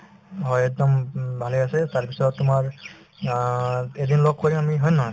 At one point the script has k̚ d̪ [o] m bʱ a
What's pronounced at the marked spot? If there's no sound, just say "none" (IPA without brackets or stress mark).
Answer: ɔ